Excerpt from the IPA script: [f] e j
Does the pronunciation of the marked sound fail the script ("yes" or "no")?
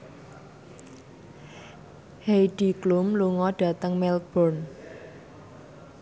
yes